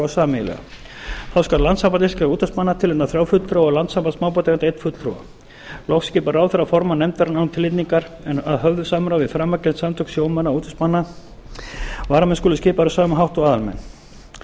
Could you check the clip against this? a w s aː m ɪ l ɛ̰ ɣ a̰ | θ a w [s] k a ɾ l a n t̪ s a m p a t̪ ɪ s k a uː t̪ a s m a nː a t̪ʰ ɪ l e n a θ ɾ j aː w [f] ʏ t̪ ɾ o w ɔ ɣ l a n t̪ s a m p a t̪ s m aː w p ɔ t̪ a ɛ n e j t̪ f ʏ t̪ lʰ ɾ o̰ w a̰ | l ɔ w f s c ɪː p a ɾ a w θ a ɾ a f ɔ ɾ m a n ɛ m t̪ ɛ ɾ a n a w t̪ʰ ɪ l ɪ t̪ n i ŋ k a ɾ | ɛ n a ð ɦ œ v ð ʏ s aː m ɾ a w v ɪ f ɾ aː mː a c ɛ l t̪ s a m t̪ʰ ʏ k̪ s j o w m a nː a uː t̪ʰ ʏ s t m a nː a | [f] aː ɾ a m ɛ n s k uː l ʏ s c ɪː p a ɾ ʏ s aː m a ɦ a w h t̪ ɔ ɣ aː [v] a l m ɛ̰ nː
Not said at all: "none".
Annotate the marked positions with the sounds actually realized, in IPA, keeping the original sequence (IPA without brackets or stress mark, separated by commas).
s, f, v, ð